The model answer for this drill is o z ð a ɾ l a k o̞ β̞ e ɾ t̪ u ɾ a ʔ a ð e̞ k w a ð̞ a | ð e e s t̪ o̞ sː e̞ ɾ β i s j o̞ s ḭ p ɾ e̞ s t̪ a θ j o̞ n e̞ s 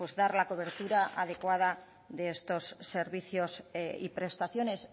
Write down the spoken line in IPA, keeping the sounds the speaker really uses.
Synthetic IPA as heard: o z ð a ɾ l a k o̞ β̞ e ɾ t̪ u ɾ a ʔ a ð e̞ k w a ð̞ a | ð e e s t̪ o̞ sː e̞ ɾ β i θ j o̞ s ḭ p ɾ e̞ s t̪ a θ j o̞ n e̞ s

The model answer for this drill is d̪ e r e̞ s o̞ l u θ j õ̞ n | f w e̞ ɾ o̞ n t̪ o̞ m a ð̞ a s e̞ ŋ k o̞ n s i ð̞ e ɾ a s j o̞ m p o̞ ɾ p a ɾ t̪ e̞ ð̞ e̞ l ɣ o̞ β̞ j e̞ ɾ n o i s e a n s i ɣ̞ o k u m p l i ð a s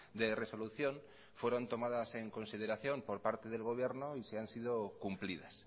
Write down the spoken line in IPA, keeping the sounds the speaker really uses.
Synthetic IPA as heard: d̪ e r e̞ s o̞ l u θ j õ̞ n | f w e̞ ɾ o̞ n t̪ o̞ m a ð̞ a s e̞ ŋ k o̞ n s i ð̞ e ɾ a θ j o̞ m p o̞ ɾ p a ɾ t̪ e̞ ð̞ e̞ l ɣ o̞ β̞ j e̞ ɾ n o i s e a n s i ð̞ o k u m p l i ð a s

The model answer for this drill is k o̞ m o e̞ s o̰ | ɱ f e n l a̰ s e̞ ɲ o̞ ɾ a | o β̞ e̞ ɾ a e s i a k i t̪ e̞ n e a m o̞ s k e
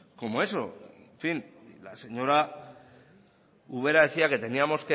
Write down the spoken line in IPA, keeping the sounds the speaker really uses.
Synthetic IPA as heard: k o̞ m o e̞ s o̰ | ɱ f i n l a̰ s e̞ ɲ o̞ ɾ a | u β̞ e̞ ɾ a e s i a k e t̪ e̞ n i a m o̞ s k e

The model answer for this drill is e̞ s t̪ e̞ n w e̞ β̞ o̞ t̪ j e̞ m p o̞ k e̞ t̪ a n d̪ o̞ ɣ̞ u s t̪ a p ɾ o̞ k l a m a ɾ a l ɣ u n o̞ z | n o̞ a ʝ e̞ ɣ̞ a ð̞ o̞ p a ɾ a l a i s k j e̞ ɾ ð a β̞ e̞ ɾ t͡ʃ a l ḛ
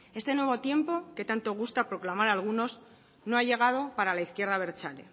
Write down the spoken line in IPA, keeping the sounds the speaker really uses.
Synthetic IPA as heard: e̞ s t̪ e̞ n w e̞ β̞ o̞ t̪ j e̞ m p o̞ k e̞ t̪ a n t̪ o̞ ɣ̞ u s t̪ a p ɾ o̞ k l a m a ɾ a l ɣ u n o̞ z | n o̞ a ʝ e̞ ɣ̞ a ð̞ o̞ p a ɾ a l a i θ k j e̞ ɾ ð a β̞ e̞ ɾ t͡ʃ a l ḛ

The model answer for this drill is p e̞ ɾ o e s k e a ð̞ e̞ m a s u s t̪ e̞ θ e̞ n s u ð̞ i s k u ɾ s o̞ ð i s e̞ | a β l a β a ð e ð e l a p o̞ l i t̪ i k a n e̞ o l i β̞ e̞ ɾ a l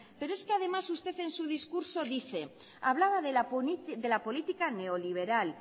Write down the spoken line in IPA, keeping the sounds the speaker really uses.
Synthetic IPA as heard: p e̞ ɾ o e s k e a ð̞ e̞ m a s u s t̪ e̞ θ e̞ n s u ð̞ i s k u ɾ s o̞ ð i θ e̞ | a β l a β a ð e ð e l a p o̞ l i t̪ i k a n e̞ o l i β̞ e̞ ɾ a l

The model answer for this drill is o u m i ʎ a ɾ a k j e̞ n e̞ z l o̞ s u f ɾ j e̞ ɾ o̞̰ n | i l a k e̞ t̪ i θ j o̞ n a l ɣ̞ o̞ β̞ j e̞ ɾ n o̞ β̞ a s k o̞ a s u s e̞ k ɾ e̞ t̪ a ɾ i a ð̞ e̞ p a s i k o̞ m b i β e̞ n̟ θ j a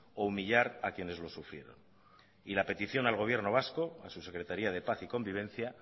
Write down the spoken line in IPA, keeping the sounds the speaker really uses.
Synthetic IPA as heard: o u m i ʎ a ɾ a k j e̞ n e̞ z l o̞ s u f ɾ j e̞ ɾ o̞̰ n | i l a p e̞ t̪ i θ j o̞ n a l ɣ̞ o̞ β̞ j e̞ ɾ n o̞ β̞ a s k o̞ a s u s e̞ k ɾ e̞ t̪ a ɾ i a ð̞ e̞ p a θ i k o̞ m b i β e̞ n̟ θ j a

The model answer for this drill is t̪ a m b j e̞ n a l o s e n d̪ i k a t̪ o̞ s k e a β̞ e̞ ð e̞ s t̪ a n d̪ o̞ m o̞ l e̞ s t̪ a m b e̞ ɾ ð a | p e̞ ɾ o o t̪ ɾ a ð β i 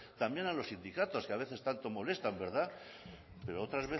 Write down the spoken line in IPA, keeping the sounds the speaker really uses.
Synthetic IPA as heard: t̪ a m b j e̞ n a l o s i n d̪ i k a t̪ o̞ s k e a β̞ e̞ θ e̞ s t̪ a n t̪ o̞ m o̞ l e̞ s t̪ a m b e̞ ɾ ð a | p e̞ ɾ o o t̪ ɾ a z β e

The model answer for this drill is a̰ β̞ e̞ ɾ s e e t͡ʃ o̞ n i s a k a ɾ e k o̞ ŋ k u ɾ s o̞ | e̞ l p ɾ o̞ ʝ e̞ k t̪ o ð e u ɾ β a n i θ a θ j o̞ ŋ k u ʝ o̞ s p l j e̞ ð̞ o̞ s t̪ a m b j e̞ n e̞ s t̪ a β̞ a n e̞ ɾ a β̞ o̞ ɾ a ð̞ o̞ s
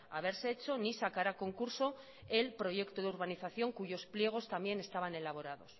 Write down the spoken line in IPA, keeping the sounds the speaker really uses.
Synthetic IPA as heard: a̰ β̞ e̞ ɾ s e e t͡ʃ o̞ n i s a k a ɾ a k o̞ ŋ k u ɾ s o̞ | e̞ l p ɾ o̞ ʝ e̞ k t̪ o ð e u ɾ β a n i θ a θ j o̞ ŋ k u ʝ o̞ s p l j e̞ ɣ̞ o̞ s t̪ a m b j e̞ n e̞ s t̪ a β̞ a n e̞ l a β̞ o̞ ɾ a ð̞ o̞ s

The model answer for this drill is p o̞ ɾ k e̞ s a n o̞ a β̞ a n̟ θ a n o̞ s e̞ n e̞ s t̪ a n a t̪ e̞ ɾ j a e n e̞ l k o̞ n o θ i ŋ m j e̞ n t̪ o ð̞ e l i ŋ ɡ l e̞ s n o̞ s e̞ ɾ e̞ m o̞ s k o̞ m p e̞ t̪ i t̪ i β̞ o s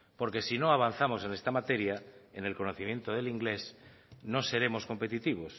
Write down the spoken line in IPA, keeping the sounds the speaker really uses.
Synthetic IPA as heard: p o̞ ɾ k e̞ s i n o̞ a β̞ a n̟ θ a m o̞ s e̞ n e̞ s t̪ a m a t̪ e̞ ɾ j a e n e̞ l k o̞ n o θ i m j e̞ n t̪ o ð̞ e l i ŋ ɡ l e̞ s n o̞ s e̞ ɾ e̞ m o̞ s k o̞ m p e̞ t̪ i t̪ i β̞ o s

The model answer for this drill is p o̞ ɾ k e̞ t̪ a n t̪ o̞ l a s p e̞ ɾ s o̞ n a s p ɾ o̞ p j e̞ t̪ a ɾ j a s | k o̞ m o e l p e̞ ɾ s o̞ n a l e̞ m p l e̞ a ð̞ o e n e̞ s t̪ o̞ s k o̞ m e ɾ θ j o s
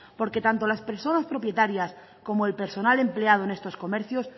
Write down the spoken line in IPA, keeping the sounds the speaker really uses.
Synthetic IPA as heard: p o̞ ɾ k e̞ t̪ a n t̪ o̞ l a s p e̞ ɾ s o̞ n a s p ɾ o̞ p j e̞ t̪ a ɾ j a s | k o̞ m o e l p e̞ ɾ s o̞ n a l e̞ m p l e̞ a ð̞ o e n e̞ s t̪ o̞ s k o̞ m e ɾ θ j o s

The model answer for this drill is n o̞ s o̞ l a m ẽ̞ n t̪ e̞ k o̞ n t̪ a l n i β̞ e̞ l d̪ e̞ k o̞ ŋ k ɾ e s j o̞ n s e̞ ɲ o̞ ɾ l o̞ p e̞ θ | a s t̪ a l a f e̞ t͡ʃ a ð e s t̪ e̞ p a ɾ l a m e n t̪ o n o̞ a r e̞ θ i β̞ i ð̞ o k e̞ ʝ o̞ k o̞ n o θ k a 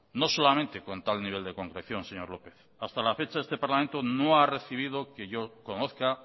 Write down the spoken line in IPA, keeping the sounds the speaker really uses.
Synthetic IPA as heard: n o̞ s o̞ l a m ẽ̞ n t̪ e̞ k o̞ n t̪ a l n i β̞ e̞ l d̪ e̞ k o̞ ŋ k ɾ e θ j o̞ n s e̞ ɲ o̞ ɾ l o̞ p e̞ θ | a s t̪ a l a f e̞ t͡ʃ a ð e s t̪ e̞ p a ɾ l a m e n t̪ o n o̞ a r e̞ θ i β̞ i ð̞ o k e̞ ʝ o̞ k o̞ n o θ k a

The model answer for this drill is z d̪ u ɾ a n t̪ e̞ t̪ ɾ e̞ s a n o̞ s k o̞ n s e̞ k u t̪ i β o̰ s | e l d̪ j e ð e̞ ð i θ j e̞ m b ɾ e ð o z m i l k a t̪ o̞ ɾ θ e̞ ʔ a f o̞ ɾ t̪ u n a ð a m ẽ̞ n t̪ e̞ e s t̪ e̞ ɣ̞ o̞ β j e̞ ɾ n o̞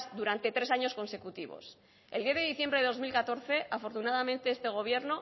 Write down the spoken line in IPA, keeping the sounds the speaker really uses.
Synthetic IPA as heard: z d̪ u ɾ a n t̪ e̞ t̪ ɾ e̞ s a ɲ o̞ s k o̞ n s e̞ k u t̪ i β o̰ s | e l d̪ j e ð e̞ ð i θ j e̞ m b ɾ e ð o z m i l k a t̪ o̞ ɾ θ e̞ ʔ a f o̞ ɾ t̪ u n a ð a m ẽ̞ n t̪ e̞ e s t̪ e̞ ɣ̞ o̞ β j e̞ ɾ n o̞

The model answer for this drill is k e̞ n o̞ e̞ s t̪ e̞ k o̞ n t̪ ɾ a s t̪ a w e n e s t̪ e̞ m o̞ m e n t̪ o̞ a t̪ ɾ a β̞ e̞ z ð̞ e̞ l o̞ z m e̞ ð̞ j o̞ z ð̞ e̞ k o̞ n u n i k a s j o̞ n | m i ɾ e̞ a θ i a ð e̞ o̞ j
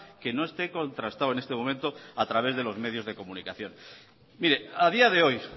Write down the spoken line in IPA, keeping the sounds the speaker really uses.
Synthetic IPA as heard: k e̞ n o̞ e̞ s t̪ e̞ k o̞ n t̪ ɾ a s t̪ a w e n e s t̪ e̞ m o̞ m e n t̪ o̞ a t̪ ɾ a β̞ e̞ z ð̞ e̞ l o̞ z m e̞ ð̞ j o̞ z ð̞ e̞ k o̞ m u n i k a θ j o̞ n | m i ɾ e̞ a ð i a ð e̞ o̞ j

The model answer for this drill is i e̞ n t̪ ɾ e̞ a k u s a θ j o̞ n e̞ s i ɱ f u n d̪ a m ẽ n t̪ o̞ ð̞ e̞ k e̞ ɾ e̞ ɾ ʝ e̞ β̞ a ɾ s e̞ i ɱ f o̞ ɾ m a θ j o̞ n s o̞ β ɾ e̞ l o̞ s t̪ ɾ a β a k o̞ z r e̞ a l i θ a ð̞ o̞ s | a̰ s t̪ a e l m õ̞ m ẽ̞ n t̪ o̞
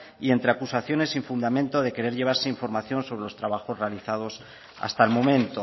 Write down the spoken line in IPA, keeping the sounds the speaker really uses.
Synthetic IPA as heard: i e̞ n t̪ ɾ e̞ a k u s a θ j o̞ n e̞ s i ɱ f u n d̪ a m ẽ n t̪ o̞ ð̞ e̞ k e̞ ɾ e̞ ɾ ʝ e̞ β̞ a ɾ s e̞ i ɱ f o̞ ɾ m a θ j o̞ n s o̞ β ɾ e̞ l o̞ s t̪ ɾ a β a x o̞ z r e̞ a l i θ a ð̞ o̞ s | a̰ s t̪ a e l m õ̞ m ẽ̞ n t̪ o̞

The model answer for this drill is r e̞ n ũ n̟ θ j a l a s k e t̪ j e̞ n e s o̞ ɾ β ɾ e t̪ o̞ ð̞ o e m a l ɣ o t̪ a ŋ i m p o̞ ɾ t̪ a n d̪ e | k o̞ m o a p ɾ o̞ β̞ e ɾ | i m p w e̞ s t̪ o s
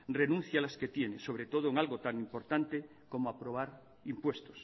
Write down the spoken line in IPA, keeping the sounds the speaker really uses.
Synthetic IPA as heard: r e̞ n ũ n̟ θ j a l a s k e t̪ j e̞ n e s o̞ β ɾ e t̪ o̞ ð̞ o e ŋ a l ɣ o t̪ a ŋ i m p o̞ ɾ t̪ a n t̪ e | k o̞ m o a p ɾ o̞ β̞ a ɾ | i m p w e̞ s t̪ o s

